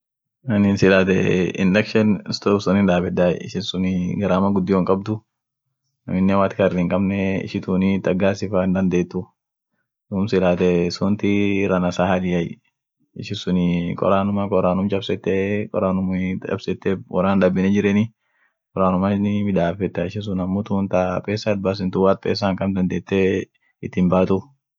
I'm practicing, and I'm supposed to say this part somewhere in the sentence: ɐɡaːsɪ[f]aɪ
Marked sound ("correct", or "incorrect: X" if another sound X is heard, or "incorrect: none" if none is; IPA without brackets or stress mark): correct